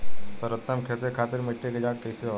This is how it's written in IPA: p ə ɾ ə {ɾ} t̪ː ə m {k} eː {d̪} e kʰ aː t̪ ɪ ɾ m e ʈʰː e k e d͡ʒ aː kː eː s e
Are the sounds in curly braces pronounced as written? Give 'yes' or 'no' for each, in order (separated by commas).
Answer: no, no, no